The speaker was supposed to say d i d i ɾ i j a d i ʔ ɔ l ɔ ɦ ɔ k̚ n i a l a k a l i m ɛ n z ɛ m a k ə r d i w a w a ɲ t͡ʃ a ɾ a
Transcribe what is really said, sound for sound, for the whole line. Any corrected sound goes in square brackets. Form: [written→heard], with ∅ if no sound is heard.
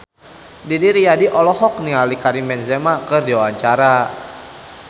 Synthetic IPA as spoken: d i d i ɾ i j a d i ʔ ɔ l ɔ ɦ ɔ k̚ n i a l [a→i] k a [l→ɾ] i m ɛ n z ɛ m a k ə r d i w a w a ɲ t͡ʃ a ɾ a